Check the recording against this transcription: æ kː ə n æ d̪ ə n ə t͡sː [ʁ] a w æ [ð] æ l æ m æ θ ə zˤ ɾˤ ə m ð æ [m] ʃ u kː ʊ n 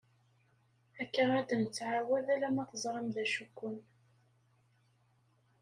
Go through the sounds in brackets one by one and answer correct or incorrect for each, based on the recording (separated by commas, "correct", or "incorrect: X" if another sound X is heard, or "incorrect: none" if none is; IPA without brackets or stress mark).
incorrect: ʕ, correct, incorrect: none